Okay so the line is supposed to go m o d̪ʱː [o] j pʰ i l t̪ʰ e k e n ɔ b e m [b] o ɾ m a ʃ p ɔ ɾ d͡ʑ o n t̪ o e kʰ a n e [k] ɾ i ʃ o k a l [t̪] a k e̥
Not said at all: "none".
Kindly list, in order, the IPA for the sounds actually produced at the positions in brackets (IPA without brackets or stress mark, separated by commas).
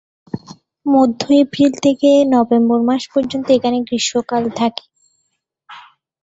o, b, ɡ, t̪ʰ